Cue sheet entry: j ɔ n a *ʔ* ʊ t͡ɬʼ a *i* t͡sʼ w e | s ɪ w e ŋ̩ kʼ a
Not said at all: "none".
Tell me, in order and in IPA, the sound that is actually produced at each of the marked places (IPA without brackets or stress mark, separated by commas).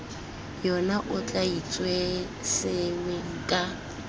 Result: ʔ, i